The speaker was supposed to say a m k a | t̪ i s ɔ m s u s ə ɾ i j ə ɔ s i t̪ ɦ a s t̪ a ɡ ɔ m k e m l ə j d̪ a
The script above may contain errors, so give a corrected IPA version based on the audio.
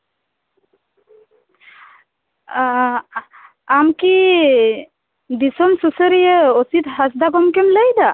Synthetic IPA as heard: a m k i | d̪ i s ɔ m s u s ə ɾ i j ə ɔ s i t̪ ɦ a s d̪ a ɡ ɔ m k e m l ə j d̪ a